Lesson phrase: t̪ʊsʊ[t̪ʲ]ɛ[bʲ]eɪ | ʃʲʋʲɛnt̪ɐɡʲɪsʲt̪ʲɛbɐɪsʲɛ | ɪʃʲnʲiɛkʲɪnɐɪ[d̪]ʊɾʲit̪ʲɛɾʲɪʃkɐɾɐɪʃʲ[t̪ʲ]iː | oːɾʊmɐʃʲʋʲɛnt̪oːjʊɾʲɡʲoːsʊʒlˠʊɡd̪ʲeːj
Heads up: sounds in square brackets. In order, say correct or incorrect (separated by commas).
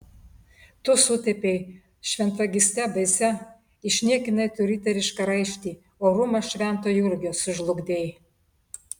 correct, incorrect, incorrect, correct